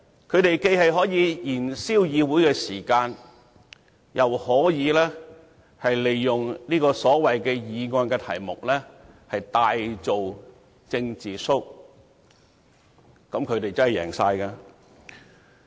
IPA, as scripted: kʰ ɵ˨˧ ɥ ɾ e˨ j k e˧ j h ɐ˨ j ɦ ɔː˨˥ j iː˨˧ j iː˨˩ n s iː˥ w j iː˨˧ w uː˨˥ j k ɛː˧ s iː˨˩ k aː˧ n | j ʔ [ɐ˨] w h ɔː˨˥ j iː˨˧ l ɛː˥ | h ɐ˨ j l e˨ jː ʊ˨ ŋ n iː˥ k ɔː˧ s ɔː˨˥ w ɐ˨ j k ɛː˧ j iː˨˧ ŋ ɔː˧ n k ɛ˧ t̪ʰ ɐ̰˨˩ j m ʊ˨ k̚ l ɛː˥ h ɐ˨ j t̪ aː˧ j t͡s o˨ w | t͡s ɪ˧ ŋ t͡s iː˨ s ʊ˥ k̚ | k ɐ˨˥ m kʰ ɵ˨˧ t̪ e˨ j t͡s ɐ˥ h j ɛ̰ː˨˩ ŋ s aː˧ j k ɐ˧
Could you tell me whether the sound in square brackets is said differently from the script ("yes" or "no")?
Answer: no